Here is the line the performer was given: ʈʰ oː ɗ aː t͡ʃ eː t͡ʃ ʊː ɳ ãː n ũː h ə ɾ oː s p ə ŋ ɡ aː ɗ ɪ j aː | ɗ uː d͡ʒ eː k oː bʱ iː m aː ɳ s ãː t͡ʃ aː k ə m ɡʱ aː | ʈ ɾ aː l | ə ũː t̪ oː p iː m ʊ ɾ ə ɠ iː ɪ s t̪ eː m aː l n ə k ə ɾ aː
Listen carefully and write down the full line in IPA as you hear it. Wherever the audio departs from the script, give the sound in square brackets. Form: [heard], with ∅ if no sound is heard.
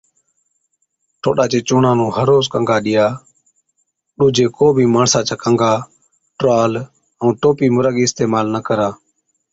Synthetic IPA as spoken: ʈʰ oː ɗ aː t͡ʃ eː t͡ʃ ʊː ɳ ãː n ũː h ə ɾ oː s [k] ə ŋ ɡ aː ɗ ɪ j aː | ɗ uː d͡ʒ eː k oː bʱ iː m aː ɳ s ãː t͡ʃ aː k ə [ŋ] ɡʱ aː | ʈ ɾ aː l | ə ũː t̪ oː p iː m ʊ ɾ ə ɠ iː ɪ s t̪ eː m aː l n ə k ə ɾ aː